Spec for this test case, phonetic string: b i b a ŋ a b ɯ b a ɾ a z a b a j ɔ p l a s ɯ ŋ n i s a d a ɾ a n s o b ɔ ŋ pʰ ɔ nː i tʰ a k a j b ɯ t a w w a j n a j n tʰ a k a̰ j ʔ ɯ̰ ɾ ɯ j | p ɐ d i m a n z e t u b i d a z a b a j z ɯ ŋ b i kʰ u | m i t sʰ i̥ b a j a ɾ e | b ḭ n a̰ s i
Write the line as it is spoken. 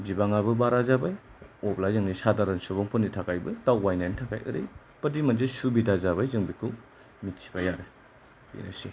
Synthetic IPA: b i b a ŋ a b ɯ b a ɾ a z a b a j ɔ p l a z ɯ ŋ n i s a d a ɾ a n s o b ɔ ŋ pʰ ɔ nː i tʰ a k a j b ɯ t a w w a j n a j n tʰ a k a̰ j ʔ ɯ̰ ɾ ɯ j | p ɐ d i m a n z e s u b i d a z a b a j z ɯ ŋ b i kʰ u | m i t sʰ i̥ b a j a ɾ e | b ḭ n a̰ s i